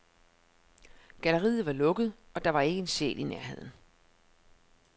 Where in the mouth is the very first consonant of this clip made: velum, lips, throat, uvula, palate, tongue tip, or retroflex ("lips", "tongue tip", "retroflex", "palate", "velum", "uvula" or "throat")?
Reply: velum